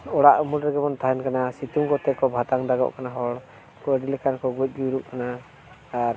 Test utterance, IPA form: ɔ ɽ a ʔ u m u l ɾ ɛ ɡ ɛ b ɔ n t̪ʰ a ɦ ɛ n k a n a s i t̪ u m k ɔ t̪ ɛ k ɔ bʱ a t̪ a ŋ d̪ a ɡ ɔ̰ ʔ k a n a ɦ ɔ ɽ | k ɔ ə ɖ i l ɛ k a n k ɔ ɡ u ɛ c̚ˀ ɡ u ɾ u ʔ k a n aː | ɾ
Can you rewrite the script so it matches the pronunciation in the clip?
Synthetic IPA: ɔ ɽ a ʔ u m u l ɾ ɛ ɡ ɛ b ɔ n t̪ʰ a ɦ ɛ n k a n a s i t̪ u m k ɔ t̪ ɛ k ɔ bʱ a t̪ a ŋ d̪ a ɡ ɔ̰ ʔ k a n a ɦ ɔ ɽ | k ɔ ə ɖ i l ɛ k a n k ɔ ɡ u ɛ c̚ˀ ɡ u ɾ u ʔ k a n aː | ɾ